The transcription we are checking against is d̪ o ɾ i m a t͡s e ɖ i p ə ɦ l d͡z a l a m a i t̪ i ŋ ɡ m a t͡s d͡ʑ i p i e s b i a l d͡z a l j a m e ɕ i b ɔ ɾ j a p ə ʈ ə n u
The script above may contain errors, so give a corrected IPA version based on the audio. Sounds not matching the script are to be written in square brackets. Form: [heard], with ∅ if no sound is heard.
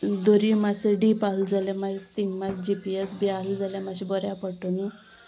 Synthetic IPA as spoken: d̪ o ɾ i m a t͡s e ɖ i p [a] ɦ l d͡z a l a m a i t̪ i ŋ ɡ m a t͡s d͡ʑ i p i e s b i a l d͡z a l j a m [a] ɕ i b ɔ ɾ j a p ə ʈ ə n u